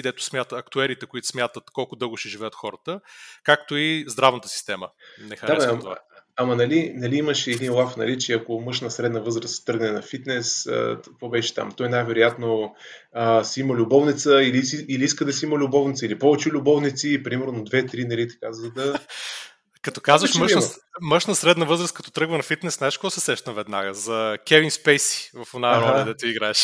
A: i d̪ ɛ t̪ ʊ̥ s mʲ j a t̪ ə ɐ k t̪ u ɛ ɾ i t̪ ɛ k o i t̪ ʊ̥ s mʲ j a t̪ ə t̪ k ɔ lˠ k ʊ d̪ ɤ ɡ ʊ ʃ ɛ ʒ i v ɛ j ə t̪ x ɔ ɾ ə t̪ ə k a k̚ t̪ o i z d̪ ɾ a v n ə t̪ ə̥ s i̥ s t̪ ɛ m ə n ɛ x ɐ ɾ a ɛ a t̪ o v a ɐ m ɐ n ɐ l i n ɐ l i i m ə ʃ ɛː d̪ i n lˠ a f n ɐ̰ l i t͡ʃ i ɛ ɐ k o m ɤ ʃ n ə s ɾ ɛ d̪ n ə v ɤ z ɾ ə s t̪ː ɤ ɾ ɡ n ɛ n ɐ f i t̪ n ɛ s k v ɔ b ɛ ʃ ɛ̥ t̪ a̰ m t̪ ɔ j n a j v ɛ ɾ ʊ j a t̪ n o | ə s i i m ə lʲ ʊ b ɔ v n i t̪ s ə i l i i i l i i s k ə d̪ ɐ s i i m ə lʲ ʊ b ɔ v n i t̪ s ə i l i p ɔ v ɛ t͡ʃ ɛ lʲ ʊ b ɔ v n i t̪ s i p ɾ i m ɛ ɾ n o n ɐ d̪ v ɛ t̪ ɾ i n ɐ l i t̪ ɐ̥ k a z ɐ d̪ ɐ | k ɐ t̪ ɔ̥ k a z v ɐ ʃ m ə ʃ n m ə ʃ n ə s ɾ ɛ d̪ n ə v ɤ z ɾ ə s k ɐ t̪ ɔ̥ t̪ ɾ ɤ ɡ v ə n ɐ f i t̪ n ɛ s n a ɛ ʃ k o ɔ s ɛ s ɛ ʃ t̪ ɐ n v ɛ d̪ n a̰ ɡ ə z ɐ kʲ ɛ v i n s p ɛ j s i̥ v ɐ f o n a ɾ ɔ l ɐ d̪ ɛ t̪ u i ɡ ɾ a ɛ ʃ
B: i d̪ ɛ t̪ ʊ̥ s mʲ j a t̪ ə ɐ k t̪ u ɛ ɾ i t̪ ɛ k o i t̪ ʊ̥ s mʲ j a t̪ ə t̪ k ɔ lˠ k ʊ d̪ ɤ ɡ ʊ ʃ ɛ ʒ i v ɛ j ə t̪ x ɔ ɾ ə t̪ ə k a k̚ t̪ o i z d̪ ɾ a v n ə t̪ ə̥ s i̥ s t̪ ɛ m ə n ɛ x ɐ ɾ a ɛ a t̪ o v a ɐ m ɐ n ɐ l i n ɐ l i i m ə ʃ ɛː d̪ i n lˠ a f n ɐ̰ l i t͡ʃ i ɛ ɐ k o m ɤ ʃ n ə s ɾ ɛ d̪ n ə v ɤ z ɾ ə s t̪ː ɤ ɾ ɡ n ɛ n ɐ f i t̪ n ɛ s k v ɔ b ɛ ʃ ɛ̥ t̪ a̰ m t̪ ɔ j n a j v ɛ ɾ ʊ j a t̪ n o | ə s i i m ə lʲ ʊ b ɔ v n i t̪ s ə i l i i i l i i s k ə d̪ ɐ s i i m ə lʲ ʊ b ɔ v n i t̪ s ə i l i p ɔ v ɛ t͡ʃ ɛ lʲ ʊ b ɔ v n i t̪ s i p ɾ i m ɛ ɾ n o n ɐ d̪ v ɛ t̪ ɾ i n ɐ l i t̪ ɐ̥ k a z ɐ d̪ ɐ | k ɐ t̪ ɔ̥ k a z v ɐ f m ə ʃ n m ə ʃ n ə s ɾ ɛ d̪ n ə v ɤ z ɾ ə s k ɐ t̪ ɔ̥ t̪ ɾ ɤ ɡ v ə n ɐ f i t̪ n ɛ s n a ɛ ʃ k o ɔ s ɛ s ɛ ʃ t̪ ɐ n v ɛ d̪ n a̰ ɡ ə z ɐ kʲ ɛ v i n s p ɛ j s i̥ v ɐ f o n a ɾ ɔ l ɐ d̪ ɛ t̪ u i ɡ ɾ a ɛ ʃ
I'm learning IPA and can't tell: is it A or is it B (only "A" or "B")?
A